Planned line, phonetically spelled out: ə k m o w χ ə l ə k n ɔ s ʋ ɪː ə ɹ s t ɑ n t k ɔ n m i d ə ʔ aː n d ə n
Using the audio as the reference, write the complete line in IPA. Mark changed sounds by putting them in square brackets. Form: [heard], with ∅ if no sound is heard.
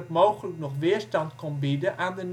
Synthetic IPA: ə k m o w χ ə l ə k n ɔ [χ] ʋ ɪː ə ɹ s t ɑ n t k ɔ n [b] i d ə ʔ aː n d ə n